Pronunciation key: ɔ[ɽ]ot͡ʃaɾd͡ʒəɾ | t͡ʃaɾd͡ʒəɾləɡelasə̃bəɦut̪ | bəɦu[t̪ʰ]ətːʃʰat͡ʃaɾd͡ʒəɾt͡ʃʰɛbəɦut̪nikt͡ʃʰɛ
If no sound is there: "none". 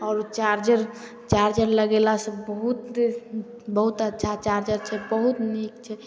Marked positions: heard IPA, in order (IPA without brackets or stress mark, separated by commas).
ɾ, t̪